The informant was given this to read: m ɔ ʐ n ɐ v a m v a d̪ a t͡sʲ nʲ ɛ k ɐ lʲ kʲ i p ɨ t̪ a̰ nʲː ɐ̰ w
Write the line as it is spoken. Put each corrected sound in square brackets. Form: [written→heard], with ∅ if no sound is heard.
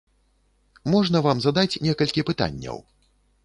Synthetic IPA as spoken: m ɔ ʐ n ɐ v a m [v→z] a d̪ a t͡sʲ nʲ ɛ k ɐ lʲ kʲ i p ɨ t̪ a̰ nʲː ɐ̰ w

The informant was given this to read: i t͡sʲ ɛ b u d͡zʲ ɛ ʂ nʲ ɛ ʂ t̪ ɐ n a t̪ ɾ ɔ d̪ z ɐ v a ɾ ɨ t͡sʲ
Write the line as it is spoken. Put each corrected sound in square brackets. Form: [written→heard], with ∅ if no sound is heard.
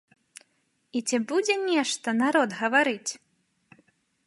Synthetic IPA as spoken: i t͡sʲ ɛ b u d͡zʲ ɛ [ʂ→∅] nʲ ɛ ʂ t̪ ɐ n a [t̪→∅] ɾ ɔ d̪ [z→ɣ] ɐ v a ɾ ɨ t͡sʲ

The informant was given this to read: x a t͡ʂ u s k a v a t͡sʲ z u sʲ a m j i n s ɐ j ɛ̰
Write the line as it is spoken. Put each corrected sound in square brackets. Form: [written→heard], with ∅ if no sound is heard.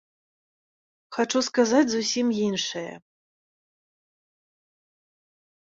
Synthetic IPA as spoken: x a t͡ʂ u s k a [v→z] a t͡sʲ z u sʲ [a→i] m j i n [s→ʂ] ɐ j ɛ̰

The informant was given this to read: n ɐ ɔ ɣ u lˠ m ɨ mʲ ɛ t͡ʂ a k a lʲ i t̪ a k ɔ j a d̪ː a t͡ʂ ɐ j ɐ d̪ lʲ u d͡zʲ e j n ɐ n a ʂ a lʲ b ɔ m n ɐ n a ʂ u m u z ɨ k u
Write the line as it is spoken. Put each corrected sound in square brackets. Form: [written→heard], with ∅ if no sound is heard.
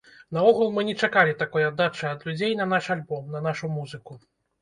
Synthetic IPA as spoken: n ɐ ɔ ɣ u lˠ m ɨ [mʲ→nʲ] ɛ t͡ʂ a k a lʲ i t̪ a k ɔ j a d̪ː a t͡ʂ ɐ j ɐ d̪ lʲ u d͡zʲ e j n ɐ n a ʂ a lʲ b ɔ m n ɐ n a ʂ u m u z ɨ k u

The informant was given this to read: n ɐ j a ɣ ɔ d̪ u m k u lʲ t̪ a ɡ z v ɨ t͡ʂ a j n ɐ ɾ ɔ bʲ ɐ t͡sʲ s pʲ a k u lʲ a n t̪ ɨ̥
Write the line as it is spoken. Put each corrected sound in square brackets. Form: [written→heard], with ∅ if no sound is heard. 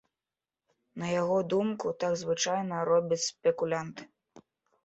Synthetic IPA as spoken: n ɐ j a ɣ ɔ d̪ u m k u [lʲ→∅] t̪ a ɡ z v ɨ t͡ʂ a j n ɐ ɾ ɔ bʲ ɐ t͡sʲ s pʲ [a→ɛ] k u lʲ a n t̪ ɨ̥

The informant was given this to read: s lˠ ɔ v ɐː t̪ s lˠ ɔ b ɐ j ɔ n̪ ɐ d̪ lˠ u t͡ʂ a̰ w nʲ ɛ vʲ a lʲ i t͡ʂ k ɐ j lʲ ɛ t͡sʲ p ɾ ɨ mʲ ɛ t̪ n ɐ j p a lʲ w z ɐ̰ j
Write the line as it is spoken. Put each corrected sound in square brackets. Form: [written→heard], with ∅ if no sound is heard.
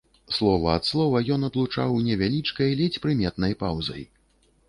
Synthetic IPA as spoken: s lˠ ɔ v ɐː t̪ s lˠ ɔ [b→v] ɐ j ɔ n̪ ɐ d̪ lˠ u t͡ʂ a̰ w nʲ ɛ vʲ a lʲ i t͡ʂ k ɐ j lʲ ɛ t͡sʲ p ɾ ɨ mʲ ɛ t̪ n ɐ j p a [lʲ→∅] w z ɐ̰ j

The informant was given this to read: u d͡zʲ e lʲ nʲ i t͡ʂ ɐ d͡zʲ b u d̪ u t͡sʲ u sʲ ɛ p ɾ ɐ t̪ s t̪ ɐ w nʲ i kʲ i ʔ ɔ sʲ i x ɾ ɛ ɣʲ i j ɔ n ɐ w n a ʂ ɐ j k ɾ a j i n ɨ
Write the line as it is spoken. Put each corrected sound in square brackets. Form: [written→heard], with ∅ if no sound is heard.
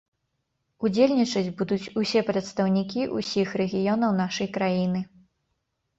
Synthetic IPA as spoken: u d͡zʲ e lʲ nʲ i t͡ʂ ɐ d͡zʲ b u d̪ u t͡sʲ u sʲ ɛ p ɾ ɐ t̪ s t̪ ɐ w nʲ i kʲ i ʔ [ɔ→u] sʲ i x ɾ ɛ ɣʲ i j ɔ n ɐ w n a ʂ ɐ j k ɾ a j i n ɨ

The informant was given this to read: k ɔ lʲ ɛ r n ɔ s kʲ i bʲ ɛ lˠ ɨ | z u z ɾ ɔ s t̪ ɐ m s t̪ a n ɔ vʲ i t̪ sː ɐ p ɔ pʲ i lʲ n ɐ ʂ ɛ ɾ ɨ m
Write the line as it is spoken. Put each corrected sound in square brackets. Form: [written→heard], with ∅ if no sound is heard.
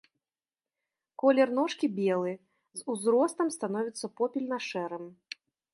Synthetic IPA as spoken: k ɔ lʲ ɛ r n ɔ [s→ʂ] kʲ i bʲ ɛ lˠ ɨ | z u z ɾ ɔ s t̪ ɐ m s t̪ a n ɔ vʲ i t̪ sː ɐ p ɔ pʲ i lʲ n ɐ ʂ ɛ ɾ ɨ m

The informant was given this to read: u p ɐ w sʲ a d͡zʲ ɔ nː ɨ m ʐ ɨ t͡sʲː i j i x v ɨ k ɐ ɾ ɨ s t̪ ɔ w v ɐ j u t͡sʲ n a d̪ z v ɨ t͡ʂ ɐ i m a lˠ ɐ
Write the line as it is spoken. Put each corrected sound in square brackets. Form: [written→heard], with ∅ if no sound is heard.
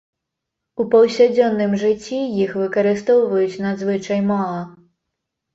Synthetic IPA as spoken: u p ɐ w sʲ a d͡zʲ ɔ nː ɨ m ʐ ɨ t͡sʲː i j i x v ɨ k ɐ ɾ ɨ s t̪ ɔ w v ɐ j u t͡sʲ n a d̪ z v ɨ t͡ʂ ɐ [i→j] m a lˠ ɐ

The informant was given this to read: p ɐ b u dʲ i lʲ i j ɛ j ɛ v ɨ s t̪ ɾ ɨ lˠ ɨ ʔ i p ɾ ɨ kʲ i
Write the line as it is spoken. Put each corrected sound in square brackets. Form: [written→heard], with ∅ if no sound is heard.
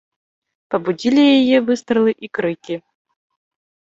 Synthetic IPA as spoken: p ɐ b u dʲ i lʲ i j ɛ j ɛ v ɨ s t̪ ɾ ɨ lˠ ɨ ʔ i [p→k] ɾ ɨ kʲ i

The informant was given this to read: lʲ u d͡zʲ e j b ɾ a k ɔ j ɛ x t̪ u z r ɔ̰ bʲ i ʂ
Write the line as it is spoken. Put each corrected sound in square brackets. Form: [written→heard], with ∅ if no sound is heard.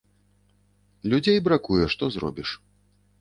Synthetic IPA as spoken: lʲ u d͡zʲ e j b ɾ a k [ɔ→u] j ɛ [x→ʂ] t̪ [u→ɔ] z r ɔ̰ bʲ i ʂ

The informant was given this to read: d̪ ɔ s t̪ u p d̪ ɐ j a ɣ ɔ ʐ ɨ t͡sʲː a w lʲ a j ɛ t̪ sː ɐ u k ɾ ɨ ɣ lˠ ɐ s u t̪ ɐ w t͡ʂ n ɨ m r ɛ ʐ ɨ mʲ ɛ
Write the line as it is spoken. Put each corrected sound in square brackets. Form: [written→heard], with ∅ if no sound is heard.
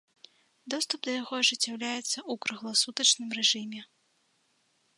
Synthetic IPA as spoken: d̪ ɔ s t̪ u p d̪ ɐ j a ɣ ɔ ʐ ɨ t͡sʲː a w lʲ a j ɛ t̪ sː ɐ u k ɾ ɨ ɣ lˠ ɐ s u t̪ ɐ [w→∅] t͡ʂ n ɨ m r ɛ ʐ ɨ mʲ ɛ

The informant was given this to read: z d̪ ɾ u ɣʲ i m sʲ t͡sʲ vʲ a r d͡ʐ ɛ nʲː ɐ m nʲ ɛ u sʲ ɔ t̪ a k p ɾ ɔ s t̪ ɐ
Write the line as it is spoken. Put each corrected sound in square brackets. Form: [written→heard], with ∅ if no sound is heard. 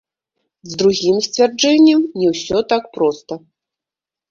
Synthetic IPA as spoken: z d̪ ɾ u ɣʲ i m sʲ t͡sʲ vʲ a r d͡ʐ ɛ nʲː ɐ m nʲ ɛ [u→w] sʲ ɔ t̪ a k p ɾ ɔ s t̪ ɐ

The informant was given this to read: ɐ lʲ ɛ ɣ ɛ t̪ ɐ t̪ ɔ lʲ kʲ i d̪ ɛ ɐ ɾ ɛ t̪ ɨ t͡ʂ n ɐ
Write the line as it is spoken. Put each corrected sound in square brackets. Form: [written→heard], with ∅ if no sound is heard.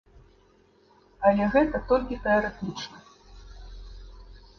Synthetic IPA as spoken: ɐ lʲ ɛ ɣ ɛ t̪ ɐ t̪ ɔ lʲ kʲ i [d̪→t̪] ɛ ɐ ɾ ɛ t̪ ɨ t͡ʂ n ɐ

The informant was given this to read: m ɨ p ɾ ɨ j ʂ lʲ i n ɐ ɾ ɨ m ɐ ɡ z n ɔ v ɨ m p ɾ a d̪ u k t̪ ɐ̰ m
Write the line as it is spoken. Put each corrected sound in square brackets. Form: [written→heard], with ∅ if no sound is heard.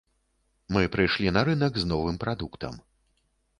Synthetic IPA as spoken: m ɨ p ɾ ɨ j ʂ lʲ i n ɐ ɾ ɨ [m→n] ɐ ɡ z n ɔ v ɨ m p ɾ a d̪ u k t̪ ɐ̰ m

